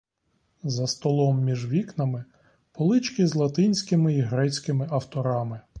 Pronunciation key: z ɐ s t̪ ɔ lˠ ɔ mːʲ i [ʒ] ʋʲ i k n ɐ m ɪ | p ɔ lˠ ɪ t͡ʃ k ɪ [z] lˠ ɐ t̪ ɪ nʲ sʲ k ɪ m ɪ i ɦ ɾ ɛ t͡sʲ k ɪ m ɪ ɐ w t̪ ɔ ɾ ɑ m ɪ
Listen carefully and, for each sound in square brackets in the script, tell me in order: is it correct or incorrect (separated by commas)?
correct, correct